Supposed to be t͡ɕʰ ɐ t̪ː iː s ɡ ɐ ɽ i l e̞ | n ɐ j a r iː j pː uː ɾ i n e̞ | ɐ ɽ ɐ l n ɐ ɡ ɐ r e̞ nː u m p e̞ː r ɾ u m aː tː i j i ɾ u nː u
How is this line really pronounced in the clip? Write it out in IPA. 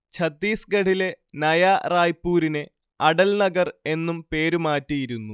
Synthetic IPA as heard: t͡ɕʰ ɐ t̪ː iː s ɡ ɐ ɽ i l e̞ | n ɐ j a r aː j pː uː ɾ i n e̞ | ɐ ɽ ɐ l n ɐ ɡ ɐ r e̞ nː u m p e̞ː ɾ u m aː tː i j i ɾ u nː u

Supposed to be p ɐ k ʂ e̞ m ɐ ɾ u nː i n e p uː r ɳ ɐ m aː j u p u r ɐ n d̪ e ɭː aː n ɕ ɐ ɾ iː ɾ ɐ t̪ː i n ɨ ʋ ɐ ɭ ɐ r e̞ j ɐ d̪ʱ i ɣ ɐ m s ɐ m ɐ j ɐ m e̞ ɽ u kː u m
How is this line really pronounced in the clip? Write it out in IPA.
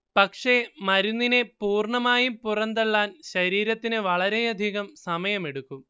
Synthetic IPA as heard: p ɐ k ʂ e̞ m ɐ ɾ u nː i n e p uː r ɳ ɐ m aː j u p u r ɐ n d̪ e ɭː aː n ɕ ɐ ɾ iː ɾ ɐ t̪ː i n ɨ ʋ ɐ ɭ ɐ ɾ e̞ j ɐ d̪ʱ i ɣ ɐ m s ɐ m ɐ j ɐ m e̞ ɽ u kː u m

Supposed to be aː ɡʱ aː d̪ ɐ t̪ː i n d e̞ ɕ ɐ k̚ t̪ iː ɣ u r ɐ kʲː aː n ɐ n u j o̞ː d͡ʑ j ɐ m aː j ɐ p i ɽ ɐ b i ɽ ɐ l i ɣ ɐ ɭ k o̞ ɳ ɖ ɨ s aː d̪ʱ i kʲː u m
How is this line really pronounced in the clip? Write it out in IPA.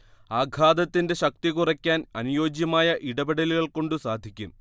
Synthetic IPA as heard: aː ɡʱ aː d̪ ɐ t̪ː i n d e̞ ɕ ɐ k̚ t̪ i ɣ u r ɐ kʲː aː n ɐ n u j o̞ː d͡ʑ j ɐ m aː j ɐ ʔ i ɽ ɐ b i ɽ ɐ l i ɣ ɐ ɭ k o̞ ɳ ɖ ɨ s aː d̪ʱ i kʲː u m

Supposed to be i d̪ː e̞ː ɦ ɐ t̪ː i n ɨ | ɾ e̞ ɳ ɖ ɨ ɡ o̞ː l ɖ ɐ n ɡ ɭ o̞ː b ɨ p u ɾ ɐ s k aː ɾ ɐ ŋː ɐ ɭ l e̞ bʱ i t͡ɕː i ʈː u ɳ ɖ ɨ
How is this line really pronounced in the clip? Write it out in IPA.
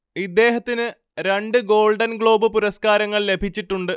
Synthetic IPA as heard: i d̪ː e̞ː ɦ ɐ t̪ː i n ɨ | ɾ e̞ ɳ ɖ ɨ ɡ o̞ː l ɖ ɐ n ɡ ɭ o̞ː b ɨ p u ɾ ɐ s k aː ɾ ɐ ŋː ɐ ɭ l e̞ bʱ i t͡ɕː i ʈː u ɳ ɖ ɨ

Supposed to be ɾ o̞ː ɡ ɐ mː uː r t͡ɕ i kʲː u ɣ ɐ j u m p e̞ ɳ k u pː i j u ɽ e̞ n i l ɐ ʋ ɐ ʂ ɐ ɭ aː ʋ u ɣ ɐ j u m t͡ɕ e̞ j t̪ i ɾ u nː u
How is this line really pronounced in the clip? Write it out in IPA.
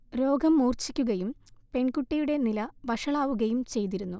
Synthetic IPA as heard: ɾ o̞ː ɡ ɐ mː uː r t͡ɕ i kʲː u ɣ ɐ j u m p e̞ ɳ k u ʈː i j u ɽ e̞ n i l ɐ ʋ ɐ ʂ ɐ ɭ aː ʋ u ɣ ɐ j u m t͡ɕ e̞ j t̪ i ɾ u nː u

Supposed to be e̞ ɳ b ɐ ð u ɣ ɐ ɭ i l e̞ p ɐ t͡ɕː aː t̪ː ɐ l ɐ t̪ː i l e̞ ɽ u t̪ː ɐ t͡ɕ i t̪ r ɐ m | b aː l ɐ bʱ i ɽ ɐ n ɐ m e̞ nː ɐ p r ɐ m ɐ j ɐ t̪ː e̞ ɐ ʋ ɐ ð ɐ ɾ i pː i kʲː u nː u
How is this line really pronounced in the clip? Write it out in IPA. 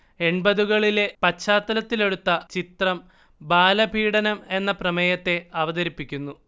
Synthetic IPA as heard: e̞ ɳ b ɐ ð u ɣ ɐ ɭ i l e̞ p ɐ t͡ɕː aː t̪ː ɐ l ɐ t̪ː i l e̞ ɽ u t̪ː ɐ t͡ɕ i t̪ r ɐ m | b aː l ɐ bʱ iː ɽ ɐ n ɐ m e̞ nː ɐ p r ɐ m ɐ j ɐ t̪ː e̞ ɐ ʋ ɐ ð ɐ ɾ i pː i kʲː u nː u

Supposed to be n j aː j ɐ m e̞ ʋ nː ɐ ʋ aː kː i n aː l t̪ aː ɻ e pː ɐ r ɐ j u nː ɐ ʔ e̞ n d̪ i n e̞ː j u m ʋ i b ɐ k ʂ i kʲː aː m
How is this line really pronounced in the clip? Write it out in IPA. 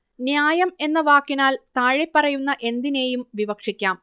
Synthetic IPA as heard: n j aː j ɐ m e̞ nː ɐ ʋ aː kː i n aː l t̪ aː ɻ e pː ɐ r ɐ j u nː ɐ ʔ e̞ n d̪ i n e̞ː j u m ʋ i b ɐ k ʂ i kʲː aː m

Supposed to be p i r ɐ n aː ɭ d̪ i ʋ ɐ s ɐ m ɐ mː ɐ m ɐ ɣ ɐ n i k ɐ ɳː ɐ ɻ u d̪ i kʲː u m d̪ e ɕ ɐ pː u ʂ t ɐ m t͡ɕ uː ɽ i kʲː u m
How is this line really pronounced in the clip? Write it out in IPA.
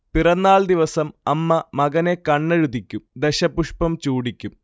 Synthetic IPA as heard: p i r ɐ nː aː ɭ d̪ i ʋ ɐ s ɐ m ɐ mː ɐ m ɐ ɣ ɐ n e k ɐ ɳː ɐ ɻ u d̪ i kʲː u m d̪ e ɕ ɐ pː u ʂ p ɐ m t͡ɕ uː ɽ i kʲː u m

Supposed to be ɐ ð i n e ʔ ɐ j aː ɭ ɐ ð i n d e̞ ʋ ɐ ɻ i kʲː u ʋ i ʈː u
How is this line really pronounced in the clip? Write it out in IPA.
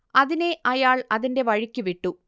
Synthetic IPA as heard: ɐ ð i n e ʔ ɐ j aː ɭ ɐ ð i n d e̞ ʋ ɐ ɻ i kʲː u ʋ i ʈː u

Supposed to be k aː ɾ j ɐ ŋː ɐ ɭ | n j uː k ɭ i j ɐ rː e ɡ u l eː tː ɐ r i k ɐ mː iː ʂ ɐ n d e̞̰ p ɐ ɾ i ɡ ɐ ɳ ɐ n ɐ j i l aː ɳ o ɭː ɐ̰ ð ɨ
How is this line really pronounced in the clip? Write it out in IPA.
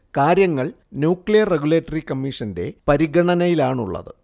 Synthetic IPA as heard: k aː ɾ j ɐ ŋː ɐ ɭ | n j uː k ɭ i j ɐ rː e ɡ u l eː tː ɐ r i k ɐ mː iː ʂ ɐ n d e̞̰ p ɐ ɾ i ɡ ɐ ɳ ɐ n ɐ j i l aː ɳ u ɭː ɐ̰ ð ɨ

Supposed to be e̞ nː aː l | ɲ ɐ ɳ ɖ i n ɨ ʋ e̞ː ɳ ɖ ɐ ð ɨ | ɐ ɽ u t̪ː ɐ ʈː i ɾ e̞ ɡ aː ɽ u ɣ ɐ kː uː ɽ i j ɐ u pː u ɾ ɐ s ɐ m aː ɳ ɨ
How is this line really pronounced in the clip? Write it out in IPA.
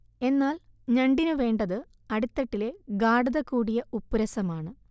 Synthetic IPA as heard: e̞ nː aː l | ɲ ɐ ɳ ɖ i n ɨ ʋ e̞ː ɳ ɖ ɐ ð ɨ | ɐ ɽ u t̪ː ɐ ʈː i l e̞ ɡ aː ɽ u ð ɐ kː uː ɽ i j ɐ u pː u ɾ ɐ s ɐ m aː ɳ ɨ

